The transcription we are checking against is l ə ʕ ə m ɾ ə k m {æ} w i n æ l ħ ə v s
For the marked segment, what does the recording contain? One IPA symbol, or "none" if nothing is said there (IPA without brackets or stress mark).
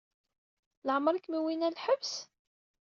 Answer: i